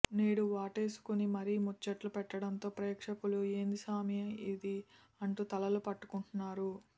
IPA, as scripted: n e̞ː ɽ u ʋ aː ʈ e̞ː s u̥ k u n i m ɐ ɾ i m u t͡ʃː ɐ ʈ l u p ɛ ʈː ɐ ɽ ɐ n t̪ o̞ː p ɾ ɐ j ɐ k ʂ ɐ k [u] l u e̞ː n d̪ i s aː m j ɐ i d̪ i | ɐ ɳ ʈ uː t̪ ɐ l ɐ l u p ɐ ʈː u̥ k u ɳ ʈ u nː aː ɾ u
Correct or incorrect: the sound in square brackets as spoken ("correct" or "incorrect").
correct